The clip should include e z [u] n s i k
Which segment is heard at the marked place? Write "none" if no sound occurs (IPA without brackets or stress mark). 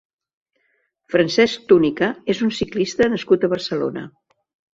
u